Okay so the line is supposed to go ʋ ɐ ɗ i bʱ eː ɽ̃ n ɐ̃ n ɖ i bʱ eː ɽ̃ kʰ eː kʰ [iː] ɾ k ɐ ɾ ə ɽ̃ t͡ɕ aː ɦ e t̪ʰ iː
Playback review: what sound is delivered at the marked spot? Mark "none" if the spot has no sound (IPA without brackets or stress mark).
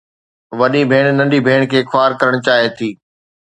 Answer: aː